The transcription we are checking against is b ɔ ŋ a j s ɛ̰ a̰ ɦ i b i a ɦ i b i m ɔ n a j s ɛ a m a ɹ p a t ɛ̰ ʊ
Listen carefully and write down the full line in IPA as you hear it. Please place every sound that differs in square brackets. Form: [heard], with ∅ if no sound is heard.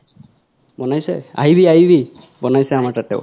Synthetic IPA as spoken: b ɔ [n] a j s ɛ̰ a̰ ɦ i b i a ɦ i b i [b] ɔ n a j s ɛ a m a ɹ [t] a t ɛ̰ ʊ